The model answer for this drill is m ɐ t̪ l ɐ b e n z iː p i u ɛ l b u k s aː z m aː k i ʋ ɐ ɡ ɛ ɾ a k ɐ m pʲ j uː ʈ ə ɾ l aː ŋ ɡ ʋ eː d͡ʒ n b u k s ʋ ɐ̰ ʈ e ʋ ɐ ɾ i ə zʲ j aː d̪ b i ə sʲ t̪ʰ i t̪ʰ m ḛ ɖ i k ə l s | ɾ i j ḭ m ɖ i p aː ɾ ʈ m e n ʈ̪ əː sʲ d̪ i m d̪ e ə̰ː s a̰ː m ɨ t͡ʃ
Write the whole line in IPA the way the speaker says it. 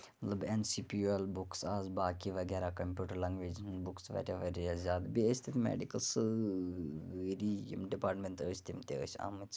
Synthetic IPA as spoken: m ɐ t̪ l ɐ b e n s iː p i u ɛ l b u k s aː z b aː k i ʋ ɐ ɡ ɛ ɾ a k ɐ m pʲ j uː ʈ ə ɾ l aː ŋ ɡ ʋ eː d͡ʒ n b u k s ʋ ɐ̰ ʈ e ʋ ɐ ɾ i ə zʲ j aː d̪ b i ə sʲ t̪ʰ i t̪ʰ m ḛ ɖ i k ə l s | ɾ i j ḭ m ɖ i p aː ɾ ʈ m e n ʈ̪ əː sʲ t̪ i m t̪ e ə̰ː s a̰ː m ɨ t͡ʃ